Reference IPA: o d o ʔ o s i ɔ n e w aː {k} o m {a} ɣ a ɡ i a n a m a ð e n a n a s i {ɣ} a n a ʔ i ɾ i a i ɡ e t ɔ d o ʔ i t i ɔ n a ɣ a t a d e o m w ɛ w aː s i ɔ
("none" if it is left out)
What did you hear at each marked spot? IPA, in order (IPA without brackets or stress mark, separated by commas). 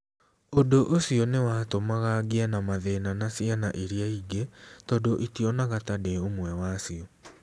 t, a, none